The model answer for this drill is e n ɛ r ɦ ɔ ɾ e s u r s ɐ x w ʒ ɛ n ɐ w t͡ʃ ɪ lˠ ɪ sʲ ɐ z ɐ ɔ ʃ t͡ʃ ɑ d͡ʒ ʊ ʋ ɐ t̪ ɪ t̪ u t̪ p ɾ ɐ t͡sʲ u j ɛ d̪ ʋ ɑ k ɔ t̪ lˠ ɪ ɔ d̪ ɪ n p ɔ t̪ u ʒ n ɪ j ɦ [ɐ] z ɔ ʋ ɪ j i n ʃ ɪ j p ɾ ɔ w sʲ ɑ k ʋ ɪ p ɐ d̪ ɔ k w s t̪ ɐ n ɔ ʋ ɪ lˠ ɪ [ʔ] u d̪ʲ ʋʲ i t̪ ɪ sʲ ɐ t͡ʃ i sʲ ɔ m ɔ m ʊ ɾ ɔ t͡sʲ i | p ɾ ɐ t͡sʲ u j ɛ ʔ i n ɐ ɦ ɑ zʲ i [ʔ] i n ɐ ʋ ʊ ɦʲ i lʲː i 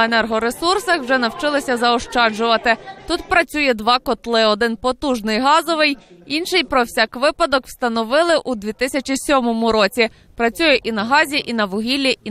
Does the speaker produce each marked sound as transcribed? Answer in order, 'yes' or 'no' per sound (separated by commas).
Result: no, yes, yes